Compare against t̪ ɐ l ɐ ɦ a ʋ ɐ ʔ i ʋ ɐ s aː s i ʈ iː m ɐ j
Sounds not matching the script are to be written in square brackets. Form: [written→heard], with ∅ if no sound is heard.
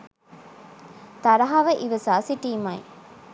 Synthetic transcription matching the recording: t̪ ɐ [l→ɾ] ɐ ɦ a ʋ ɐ ʔ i ʋ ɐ s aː s i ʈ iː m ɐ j